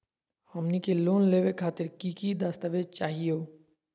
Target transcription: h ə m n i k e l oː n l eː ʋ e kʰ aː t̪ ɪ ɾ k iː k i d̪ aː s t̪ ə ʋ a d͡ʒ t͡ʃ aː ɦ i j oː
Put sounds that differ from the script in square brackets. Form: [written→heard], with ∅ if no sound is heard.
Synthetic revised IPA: h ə m n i k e l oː n l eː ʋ e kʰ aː t̪ ɪ ɾ k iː k i d̪ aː s t̪ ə ʋ [a→e] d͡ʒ t͡ʃ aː ɦ i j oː

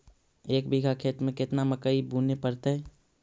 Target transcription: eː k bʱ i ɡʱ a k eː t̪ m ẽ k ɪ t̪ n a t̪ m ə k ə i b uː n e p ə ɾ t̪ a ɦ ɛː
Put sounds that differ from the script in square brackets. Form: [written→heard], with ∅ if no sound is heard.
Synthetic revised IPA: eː k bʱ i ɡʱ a [k→kʰ] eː t̪ m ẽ k ɪ t̪ n a [t̪→∅] m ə k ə i b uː n e p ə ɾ t̪ a ɦ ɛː

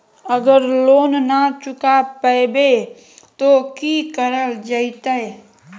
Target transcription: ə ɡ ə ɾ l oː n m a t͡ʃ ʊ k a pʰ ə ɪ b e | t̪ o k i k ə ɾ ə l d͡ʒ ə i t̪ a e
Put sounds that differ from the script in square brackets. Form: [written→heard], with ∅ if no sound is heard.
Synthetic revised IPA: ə ɡ ə ɾ l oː n [m→n] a t͡ʃ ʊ k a [pʰ→p] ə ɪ b e | t̪ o k i k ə ɾ ə l d͡ʒ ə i t̪ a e

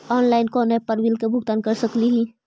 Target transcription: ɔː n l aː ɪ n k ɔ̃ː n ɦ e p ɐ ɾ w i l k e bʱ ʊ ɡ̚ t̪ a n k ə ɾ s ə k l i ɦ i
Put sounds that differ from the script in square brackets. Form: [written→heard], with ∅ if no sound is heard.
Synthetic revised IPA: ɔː n l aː ɪ n k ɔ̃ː n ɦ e p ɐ ɾ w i l k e bʱ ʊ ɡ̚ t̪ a n k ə ɾ s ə k l i ɦ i

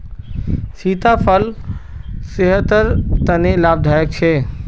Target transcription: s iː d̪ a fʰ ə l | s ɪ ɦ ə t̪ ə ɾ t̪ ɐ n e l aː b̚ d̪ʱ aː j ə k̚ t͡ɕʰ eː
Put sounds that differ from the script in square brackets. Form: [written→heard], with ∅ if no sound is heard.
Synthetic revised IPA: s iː [d̪→t̪] a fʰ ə l | s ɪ ɦ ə t̪ ə ɾ t̪ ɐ n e l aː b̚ d̪ʱ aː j ə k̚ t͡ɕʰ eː

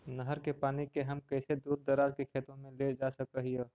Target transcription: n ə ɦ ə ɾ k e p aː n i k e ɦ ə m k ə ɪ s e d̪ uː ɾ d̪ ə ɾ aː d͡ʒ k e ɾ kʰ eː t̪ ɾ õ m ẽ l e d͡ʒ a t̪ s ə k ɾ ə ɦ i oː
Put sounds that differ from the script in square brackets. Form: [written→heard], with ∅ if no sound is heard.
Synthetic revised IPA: n ə ɦ ə ɾ k e p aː n i k e ɦ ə m k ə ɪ s e d̪ uː ɾ d̪ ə ɾ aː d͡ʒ k e [ɾ→∅] kʰ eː t̪ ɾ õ m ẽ l e d͡ʒ a [t̪→∅] s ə k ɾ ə ɦ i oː

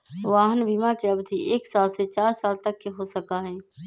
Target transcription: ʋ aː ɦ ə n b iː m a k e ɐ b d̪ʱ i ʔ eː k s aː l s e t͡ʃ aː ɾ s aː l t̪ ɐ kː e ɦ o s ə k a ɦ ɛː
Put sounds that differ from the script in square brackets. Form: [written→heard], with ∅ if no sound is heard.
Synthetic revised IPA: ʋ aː ɦ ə n b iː m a k e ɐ b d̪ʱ i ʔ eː k s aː l s e t͡ʃ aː ɾ s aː l t̪ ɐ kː e ɦ o s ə k a ɦ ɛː

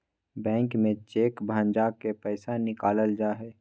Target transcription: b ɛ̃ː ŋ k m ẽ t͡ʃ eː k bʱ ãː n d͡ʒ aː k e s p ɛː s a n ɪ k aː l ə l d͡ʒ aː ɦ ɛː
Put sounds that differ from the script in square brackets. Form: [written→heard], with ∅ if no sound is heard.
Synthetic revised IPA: b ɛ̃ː ŋ k m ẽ t͡ʃ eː k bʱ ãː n d͡ʒ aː k e [s→∅] p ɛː s a n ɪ k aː l ə l d͡ʒ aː ɦ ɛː

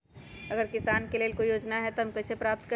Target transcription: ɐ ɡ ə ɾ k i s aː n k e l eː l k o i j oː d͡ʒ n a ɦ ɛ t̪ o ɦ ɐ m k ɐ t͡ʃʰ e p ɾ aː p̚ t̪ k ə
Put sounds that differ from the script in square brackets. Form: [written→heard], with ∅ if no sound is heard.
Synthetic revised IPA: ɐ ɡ ə ɾ k [i→ɪ] s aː n k e l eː l k o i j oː d͡ʒ n a ɦ ɛ t̪ o ɦ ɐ m k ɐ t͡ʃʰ e p ɾ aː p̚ t̪ k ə

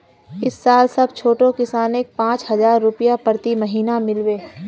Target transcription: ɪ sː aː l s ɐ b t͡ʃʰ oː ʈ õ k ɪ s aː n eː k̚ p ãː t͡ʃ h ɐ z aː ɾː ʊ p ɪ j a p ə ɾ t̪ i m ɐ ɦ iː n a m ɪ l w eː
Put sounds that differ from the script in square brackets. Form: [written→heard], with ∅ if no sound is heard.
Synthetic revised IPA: ɪ sː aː l s ɐ b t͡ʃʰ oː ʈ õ k ɪ s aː n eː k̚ p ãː t͡ʃ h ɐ z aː ɾː ʊ p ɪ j a p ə ɾ t̪ i m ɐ ɦ iː n a m ɪ l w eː

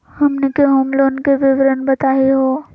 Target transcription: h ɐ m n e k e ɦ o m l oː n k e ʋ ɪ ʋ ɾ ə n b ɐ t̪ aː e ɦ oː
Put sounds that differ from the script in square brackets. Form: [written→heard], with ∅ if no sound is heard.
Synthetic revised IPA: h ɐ m n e k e ɦ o m l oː n k e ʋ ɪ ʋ ɾ ə n b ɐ t̪ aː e ɦ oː

